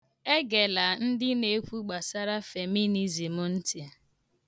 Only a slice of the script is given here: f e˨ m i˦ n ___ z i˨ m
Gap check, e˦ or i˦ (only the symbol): i˦